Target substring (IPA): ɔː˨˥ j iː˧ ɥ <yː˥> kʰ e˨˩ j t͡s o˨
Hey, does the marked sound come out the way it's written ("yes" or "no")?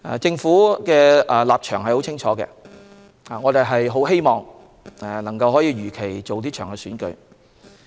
no